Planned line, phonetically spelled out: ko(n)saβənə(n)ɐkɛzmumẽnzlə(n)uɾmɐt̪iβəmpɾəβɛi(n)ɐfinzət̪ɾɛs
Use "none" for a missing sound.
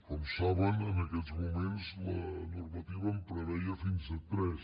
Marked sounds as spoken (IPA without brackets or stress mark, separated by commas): m, n, n, none